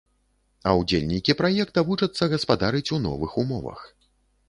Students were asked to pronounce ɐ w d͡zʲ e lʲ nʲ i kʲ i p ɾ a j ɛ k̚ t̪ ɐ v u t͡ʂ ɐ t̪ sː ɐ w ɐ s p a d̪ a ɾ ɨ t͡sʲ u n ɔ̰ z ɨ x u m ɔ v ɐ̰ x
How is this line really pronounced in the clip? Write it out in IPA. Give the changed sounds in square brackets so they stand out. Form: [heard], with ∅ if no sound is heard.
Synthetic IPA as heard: ɐ w d͡zʲ e lʲ nʲ i kʲ i p ɾ a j ɛ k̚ t̪ ɐ v u t͡ʂ ɐ t̪ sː ɐ [ɣ] ɐ s p a d̪ a ɾ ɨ t͡sʲ u n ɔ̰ [v] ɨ x u m ɔ v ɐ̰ x